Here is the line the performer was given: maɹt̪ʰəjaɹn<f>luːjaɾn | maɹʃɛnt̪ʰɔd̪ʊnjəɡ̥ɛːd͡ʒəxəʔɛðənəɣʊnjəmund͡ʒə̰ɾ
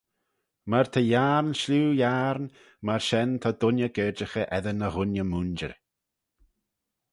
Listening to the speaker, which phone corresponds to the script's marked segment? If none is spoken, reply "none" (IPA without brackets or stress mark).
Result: ʃ